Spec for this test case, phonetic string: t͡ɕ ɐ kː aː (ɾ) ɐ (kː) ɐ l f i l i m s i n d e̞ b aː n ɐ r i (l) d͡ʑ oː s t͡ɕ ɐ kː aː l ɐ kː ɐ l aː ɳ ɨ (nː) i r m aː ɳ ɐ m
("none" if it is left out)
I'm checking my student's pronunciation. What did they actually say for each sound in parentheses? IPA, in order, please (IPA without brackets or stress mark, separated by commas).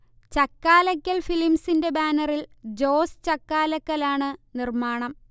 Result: l, kː, l, n